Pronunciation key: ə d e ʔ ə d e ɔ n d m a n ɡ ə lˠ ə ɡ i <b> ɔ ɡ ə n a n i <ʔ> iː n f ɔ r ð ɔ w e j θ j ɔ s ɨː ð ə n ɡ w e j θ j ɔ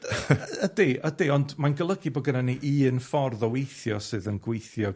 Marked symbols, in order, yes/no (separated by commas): yes, yes